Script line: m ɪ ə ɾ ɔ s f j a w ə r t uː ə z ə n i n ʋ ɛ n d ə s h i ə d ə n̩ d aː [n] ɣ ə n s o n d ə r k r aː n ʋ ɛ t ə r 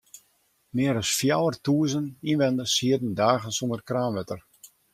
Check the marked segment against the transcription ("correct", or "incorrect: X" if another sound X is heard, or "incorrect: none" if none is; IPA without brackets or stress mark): incorrect: none